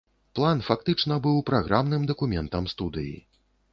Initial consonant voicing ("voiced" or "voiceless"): voiceless